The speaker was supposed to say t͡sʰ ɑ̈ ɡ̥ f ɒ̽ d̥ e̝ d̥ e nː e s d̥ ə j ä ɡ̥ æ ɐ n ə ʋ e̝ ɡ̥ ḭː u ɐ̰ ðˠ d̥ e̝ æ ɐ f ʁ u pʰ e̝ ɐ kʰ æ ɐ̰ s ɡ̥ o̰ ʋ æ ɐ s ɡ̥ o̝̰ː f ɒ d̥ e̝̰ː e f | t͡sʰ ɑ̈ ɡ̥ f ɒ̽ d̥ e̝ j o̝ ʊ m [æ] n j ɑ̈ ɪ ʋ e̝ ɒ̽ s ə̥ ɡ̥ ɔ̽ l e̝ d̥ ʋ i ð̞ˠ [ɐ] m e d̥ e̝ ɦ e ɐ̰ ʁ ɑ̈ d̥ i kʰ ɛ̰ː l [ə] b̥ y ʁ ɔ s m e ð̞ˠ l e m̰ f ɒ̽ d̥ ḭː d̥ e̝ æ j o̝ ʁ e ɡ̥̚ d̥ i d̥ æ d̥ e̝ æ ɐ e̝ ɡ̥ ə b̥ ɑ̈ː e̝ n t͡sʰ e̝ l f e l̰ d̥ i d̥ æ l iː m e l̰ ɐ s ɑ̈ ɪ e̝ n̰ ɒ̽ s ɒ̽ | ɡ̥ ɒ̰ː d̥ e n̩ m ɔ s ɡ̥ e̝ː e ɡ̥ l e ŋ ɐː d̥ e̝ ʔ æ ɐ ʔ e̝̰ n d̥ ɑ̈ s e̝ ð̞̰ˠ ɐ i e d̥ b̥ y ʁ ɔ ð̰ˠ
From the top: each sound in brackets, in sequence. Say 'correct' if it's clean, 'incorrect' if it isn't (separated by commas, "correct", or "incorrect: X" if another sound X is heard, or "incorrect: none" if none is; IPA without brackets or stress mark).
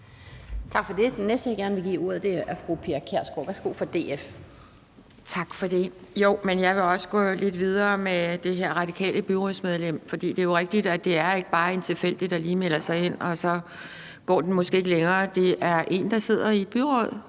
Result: incorrect: e, incorrect: ɐː, correct